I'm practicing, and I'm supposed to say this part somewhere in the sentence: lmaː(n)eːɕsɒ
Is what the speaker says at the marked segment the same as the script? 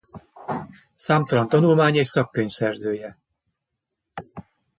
no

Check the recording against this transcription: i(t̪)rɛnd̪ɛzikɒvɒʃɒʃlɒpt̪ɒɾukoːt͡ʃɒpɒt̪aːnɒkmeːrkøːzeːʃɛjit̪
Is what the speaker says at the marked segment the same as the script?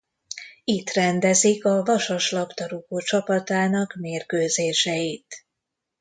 yes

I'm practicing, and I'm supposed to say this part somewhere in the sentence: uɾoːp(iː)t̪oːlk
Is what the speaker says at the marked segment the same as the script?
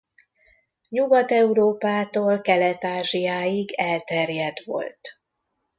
no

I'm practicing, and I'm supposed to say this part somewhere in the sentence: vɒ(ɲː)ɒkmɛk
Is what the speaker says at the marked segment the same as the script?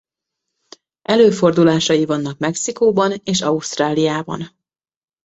no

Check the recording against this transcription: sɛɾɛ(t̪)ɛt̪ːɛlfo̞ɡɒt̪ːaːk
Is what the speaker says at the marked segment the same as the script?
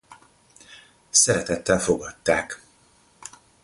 yes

